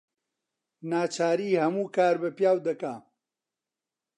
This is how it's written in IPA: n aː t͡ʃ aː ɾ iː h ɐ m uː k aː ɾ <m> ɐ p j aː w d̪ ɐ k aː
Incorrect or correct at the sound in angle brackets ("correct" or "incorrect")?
incorrect